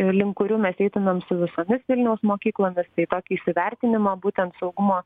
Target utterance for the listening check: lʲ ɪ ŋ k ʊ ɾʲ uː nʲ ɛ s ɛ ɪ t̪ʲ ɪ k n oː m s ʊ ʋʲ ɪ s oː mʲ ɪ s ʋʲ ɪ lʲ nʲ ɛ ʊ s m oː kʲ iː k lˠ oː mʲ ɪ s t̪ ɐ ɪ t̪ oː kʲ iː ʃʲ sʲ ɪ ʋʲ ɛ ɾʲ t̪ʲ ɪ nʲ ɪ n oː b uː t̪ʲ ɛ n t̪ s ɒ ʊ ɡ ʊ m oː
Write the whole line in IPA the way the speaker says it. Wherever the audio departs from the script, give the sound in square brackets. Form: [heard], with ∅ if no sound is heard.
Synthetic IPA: lʲ ɪ ŋ k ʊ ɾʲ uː [mʲ] ɛ s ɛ ɪ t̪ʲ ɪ [∅] n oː m s ʊ ʋʲ ɪ s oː mʲ ɪ s ʋʲ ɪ lʲ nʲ ɛ ʊ s m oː kʲ iː k lˠ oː mʲ ɪ s t̪ ɐ ɪ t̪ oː kʲ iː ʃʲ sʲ ɪ ʋʲ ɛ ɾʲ t̪ʲ ɪ nʲ ɪ [m] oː b uː t̪ʲ ɛ n t̪ s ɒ ʊ ɡ ʊ m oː

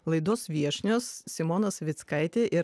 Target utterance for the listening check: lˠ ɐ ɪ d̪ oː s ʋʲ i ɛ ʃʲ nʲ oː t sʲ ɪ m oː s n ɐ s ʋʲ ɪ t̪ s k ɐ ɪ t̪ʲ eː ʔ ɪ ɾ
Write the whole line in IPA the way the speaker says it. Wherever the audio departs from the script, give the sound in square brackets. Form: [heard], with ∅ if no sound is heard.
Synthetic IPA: lˠ ɐ ɪ d̪ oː s ʋʲ i ɛ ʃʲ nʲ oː [s] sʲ ɪ m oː [∅] n ɐ s ʋʲ ɪ t̪ s k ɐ ɪ t̪ʲ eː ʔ ɪ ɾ

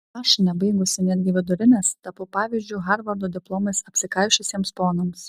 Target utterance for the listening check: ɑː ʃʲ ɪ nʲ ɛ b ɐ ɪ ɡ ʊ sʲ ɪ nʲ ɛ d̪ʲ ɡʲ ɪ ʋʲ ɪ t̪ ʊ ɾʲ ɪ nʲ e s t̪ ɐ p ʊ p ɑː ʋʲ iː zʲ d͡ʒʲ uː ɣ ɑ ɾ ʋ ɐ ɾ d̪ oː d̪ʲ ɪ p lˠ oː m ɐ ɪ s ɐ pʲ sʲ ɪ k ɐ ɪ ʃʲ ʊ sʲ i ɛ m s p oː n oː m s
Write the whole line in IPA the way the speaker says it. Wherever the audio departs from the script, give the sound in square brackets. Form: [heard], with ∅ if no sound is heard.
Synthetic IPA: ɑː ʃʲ ɪ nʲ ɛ b ɐ ɪ ɡ ʊ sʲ ɪ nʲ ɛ d̪ʲ ɡʲ ɪ ʋʲ ɪ [d̪] ʊ ɾʲ ɪ nʲ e s t̪ ɐ p ʊ p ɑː ʋʲ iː zʲ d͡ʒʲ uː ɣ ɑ ɾ ʋ ɐ ɾ d̪ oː d̪ʲ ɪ p lˠ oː m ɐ ɪ s ɐ pʲ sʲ ɪ k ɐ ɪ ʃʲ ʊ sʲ i ɛ m s p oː n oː m s

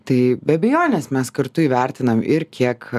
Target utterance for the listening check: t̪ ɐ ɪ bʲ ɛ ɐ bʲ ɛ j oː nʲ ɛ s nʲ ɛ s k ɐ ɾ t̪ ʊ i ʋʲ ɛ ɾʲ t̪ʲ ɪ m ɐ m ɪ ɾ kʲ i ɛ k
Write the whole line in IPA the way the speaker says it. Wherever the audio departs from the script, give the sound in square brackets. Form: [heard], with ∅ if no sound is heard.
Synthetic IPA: t̪ ɐ ɪ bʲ ɛ ɐ bʲ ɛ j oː nʲ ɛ s [mʲ] ɛ s k ɐ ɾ t̪ ʊ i ʋʲ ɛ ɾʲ t̪ʲ ɪ [n] ɐ m ɪ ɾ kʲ i ɛ k

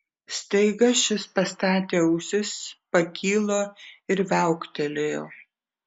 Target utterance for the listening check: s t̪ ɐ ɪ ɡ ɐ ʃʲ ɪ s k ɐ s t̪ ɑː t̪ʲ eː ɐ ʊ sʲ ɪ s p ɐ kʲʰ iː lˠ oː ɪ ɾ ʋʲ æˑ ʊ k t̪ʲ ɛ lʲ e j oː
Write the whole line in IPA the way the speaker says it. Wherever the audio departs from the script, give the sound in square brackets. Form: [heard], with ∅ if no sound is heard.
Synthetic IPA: s t̪ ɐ ɪ ɡ ɐ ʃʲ ɪ s [p] ɐ s t̪ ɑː t̪ʲ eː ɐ ʊ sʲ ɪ s p ɐ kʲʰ iː lˠ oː ɪ ɾ ʋʲ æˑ ʊ k t̪ʲ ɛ lʲ e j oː

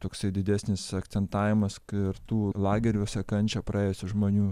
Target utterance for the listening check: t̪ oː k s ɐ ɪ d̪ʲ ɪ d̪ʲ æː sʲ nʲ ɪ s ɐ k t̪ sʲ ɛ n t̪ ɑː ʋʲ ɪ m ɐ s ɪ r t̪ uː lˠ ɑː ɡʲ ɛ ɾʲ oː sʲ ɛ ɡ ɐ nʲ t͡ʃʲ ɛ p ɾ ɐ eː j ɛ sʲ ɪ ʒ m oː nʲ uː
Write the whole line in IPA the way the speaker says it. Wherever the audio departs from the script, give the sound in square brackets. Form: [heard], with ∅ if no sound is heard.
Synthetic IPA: t̪ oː k s ɐ ɪ d̪ʲ ɪ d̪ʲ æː sʲ nʲ ɪ s ɐ k t̪ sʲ ɛ n t̪ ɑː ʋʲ ɪ m ɐ s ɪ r t̪ uː lˠ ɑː ɡʲ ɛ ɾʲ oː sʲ ɛ [k] ɐ nʲ t͡ʃʲ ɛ p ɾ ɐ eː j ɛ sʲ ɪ ʒ m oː nʲ uː

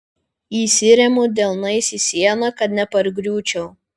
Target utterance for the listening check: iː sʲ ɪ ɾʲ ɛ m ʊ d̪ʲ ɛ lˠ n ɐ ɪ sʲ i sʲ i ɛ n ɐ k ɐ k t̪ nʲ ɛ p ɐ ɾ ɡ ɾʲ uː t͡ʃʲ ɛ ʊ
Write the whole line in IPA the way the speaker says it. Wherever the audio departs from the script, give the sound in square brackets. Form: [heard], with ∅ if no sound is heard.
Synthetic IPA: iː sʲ ɪ ɾʲ ɛ m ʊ d̪ʲ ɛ lˠ n ɐ ɪ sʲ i sʲ i ɛ n ɐ k ɐ [∅] t̪ nʲ ɛ p ɐ ɾ ɡ ɾʲ uː t͡ʃʲ ɛ ʊ

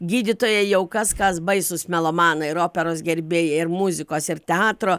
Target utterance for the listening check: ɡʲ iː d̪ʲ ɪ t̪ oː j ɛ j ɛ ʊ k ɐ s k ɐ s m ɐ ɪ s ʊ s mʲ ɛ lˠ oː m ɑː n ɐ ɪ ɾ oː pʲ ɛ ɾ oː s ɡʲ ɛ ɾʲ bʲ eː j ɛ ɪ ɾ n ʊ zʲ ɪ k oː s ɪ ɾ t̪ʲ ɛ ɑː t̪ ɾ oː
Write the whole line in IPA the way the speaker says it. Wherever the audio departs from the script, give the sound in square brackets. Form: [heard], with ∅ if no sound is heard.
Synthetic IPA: ɡʲ iː d̪ʲ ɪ t̪ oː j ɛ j ɛ ʊ k ɐ s k ɐ s [b] ɐ ɪ s ʊ s mʲ ɛ lˠ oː m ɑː n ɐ ɪ ɾ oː pʲ ɛ ɾ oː s ɡʲ ɛ ɾʲ bʲ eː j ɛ ɪ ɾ [m] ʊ zʲ ɪ k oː s ɪ ɾ t̪ʲ ɛ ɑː t̪ ɾ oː

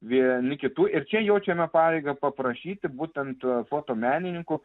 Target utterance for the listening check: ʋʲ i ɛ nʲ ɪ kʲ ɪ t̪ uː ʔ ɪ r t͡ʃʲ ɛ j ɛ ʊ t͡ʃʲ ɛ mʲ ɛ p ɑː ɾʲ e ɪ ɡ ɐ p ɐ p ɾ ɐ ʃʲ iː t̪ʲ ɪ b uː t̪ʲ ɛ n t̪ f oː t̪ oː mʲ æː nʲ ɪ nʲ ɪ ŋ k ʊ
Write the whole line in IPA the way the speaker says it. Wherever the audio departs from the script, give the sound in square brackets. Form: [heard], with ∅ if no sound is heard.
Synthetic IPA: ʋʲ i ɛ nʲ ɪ kʲ ɪ t̪ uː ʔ ɪ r t͡ʃʲ ɛ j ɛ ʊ t͡ʃʲ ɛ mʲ ɛ p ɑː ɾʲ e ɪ ɡ ɐ p ɐ p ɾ ɐ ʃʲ iː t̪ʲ ɪ b uː t̪ʲ ɛ n t̪ f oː t̪ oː mʲ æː nʲ ɪ nʲ ɪ ŋ k ʊ

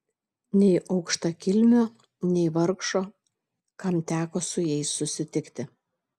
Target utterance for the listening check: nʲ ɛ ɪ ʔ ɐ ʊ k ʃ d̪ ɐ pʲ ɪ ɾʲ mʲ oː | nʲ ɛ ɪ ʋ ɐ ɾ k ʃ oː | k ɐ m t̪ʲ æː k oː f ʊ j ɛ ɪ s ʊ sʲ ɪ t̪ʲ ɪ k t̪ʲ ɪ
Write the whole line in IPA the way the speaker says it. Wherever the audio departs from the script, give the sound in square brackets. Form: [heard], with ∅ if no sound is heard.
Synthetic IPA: nʲ ɛ ɪ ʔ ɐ ʊ k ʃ [t̪] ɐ [kʲ] ɪ [lʲ] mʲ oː | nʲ ɛ ɪ ʋ ɐ ɾ k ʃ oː | k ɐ m t̪ʲ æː k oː [s] ʊ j ɛ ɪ s ʊ sʲ ɪ t̪ʲ ɪ k t̪ʲ ɪ

